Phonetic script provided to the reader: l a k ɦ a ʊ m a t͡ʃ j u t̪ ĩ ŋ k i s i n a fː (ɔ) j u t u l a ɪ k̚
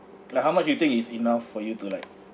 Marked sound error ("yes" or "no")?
no